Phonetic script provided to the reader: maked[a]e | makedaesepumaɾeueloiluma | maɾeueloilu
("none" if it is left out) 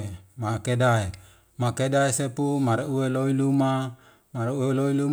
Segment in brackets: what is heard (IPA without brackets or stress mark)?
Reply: a